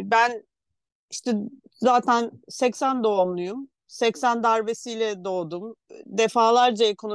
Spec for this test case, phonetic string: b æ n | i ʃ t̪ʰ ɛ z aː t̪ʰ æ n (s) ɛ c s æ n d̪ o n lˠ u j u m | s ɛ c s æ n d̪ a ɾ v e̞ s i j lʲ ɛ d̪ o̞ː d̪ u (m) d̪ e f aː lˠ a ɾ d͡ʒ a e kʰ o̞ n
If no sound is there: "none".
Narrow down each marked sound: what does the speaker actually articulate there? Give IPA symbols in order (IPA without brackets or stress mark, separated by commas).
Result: s, m